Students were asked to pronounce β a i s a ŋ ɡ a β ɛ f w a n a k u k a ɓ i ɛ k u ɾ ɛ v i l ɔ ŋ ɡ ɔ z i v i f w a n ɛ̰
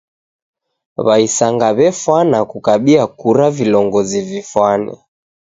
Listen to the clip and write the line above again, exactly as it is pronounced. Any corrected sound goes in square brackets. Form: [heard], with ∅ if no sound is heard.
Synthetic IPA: β a i s a ŋ ɡ a β ɛ f w a n a k u k a ɓ i [a] k u ɾ [a] v i l ɔ ŋ ɡ ɔ z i v i f w a n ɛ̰

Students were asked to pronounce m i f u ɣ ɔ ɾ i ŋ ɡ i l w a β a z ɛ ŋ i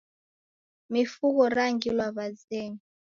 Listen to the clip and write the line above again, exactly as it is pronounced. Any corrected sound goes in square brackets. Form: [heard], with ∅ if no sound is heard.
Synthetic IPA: m i f u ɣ ɔ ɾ [a] ŋ ɡ i l w a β a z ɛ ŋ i

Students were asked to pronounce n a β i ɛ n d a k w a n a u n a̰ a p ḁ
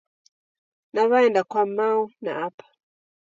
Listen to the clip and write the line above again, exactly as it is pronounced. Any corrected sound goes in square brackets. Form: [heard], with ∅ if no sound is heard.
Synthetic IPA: n a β [a] ɛ n d a k w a [m] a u n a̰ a p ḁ

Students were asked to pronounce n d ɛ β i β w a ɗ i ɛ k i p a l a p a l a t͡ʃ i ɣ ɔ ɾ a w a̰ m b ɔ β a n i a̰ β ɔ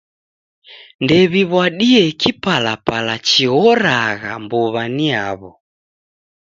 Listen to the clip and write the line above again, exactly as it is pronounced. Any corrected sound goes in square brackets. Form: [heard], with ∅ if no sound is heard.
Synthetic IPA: n d ɛ β i β w a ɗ i ɛ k i p a l a p a l a t͡ʃ i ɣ ɔ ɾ a [ɣ] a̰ m b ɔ β a n i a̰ β ɔ

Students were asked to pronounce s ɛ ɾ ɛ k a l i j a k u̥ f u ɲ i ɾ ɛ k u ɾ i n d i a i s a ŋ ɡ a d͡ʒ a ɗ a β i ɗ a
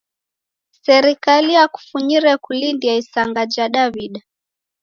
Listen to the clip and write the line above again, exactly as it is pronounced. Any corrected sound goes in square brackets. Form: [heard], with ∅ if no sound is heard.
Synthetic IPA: s ɛ ɾ [i] k a l i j a k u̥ f u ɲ i ɾ ɛ k u [l] i n d i a i s a ŋ ɡ a d͡ʒ a ɗ a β i ɗ a

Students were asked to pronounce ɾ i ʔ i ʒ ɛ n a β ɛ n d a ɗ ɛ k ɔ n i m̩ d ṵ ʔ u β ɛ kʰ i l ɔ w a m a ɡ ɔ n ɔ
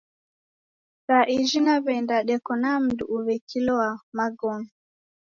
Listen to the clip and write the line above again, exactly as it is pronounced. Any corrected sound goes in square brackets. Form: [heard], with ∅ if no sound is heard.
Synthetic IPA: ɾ [a] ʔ i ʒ [i] n a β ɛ n d a ɗ ɛ k ɔ n [a] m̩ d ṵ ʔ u β ɛ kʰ i l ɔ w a m a ɡ ɔ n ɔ

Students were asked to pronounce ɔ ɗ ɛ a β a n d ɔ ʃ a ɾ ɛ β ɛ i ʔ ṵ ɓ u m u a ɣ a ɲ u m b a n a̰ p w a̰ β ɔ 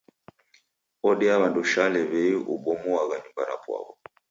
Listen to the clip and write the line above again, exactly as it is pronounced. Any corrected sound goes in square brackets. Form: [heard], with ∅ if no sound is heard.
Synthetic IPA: ɔ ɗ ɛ a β a n d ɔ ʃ a [l] ɛ β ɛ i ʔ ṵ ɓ [ɔ] m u a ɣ a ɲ u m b a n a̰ p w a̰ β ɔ

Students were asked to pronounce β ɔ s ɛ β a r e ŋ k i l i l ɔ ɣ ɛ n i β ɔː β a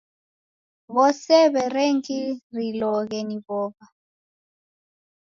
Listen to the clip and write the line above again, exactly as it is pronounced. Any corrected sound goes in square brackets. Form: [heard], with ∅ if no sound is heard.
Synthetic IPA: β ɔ s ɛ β [ɛ] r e ŋ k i [r] i l ɔ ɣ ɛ n i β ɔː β a

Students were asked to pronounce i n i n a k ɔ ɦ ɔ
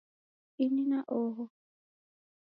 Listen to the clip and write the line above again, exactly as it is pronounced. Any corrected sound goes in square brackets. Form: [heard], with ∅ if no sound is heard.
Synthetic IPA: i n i n a [ʔ] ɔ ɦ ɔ

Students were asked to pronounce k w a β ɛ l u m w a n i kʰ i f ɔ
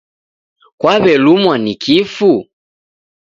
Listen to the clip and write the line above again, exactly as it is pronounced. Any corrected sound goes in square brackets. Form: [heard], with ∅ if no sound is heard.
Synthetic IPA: k w a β ɛ l u m w a n i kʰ i f [u]

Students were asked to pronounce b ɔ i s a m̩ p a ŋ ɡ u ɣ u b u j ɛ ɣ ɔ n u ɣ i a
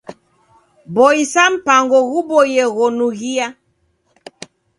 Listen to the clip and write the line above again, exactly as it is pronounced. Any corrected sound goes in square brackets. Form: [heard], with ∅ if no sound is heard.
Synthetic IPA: b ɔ i s a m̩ p a ŋ ɡ [ɔ] ɣ u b [ɔ] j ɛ ɣ ɔ n u ɣ i a

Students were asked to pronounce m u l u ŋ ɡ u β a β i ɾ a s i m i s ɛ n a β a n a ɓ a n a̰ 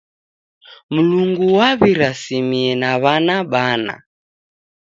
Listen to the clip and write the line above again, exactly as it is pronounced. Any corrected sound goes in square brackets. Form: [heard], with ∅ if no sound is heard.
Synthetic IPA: m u l u ŋ ɡ u [w] a β i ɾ a s i m i [∅] ɛ n a β a n a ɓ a n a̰

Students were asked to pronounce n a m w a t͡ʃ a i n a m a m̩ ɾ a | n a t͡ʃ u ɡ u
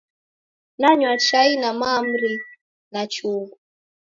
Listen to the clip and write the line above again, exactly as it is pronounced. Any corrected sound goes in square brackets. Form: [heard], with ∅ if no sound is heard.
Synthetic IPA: n a [ɲ] w a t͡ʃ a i n a m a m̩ ɾ [i] | n a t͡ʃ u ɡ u

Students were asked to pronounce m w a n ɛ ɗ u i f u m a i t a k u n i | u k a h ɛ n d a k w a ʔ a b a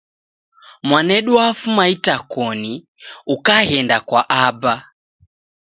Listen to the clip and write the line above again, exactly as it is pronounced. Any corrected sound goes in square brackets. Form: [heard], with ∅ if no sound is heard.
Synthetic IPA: m w a n ɛ ɗ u [a] f u m a i t a k [ɔ] n i | u k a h ɛ n d a k w a ʔ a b a

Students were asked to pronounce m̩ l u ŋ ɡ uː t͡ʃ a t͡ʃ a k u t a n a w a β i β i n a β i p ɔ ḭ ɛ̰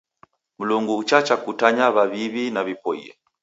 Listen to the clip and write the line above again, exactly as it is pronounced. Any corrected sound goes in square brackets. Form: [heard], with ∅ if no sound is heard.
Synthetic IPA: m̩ l u ŋ ɡ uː t͡ʃ a t͡ʃ a k u t a [ɲ] a [β] a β i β i n a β i p ɔ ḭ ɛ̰

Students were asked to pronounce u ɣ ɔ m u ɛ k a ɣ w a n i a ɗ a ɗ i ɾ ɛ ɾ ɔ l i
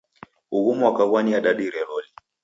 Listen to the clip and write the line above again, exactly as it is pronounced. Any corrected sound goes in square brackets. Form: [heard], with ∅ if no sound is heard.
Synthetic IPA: u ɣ [u] m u [a] k a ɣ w a n i a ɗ a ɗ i ɾ ɛ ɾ ɔ l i

